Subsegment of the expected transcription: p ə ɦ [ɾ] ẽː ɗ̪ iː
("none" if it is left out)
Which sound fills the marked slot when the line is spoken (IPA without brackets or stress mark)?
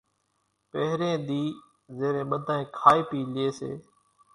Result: ɾ